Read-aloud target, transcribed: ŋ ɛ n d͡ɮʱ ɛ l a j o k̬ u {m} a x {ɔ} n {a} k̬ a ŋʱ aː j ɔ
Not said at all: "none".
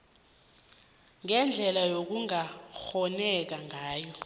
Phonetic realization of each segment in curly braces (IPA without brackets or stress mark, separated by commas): ŋ, ɔ, ɛ